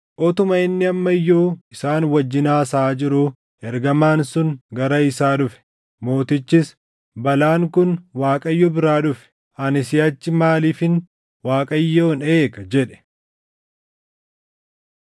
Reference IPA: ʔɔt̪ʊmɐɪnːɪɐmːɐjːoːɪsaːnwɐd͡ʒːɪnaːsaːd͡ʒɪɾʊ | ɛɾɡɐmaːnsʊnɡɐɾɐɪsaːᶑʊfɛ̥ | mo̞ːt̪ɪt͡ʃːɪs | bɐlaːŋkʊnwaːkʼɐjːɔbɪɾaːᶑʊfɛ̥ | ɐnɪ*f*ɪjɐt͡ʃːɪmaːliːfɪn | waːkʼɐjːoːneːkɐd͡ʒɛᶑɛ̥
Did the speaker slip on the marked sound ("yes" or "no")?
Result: yes